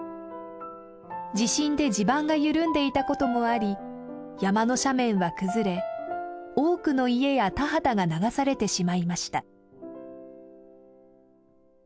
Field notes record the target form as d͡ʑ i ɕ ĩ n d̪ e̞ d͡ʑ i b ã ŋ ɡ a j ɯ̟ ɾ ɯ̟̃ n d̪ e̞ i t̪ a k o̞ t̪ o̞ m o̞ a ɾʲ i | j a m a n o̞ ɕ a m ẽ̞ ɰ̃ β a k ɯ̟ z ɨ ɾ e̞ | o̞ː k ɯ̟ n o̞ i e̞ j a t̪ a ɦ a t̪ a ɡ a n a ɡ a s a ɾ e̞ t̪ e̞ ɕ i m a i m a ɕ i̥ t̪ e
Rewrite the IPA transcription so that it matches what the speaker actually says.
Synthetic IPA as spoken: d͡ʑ i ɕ ĩ n d̪ e̞ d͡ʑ i b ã ŋ ɡ a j ɯ̟ ɾ ɯ̟̃ n d̪ e̞ i t̪ a k o̞ t̪ o̞ m o̞ a ɾʲ i | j a m a n o̞ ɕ a m ẽ̞ ɰ̃ β a k ɯ̟ z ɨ ɾ e̞ | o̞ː k ɯ̟ n o̞ i e̞ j a t̪ a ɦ a t̪ a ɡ a n a ɡ a s a ɾ e̞ t̪ e̞ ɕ i m a i m a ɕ i̥ t̪ a